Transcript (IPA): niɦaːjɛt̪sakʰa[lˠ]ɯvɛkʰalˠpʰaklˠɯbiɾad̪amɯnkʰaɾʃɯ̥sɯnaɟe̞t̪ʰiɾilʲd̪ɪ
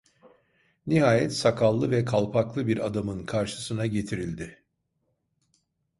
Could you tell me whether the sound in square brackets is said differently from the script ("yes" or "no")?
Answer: yes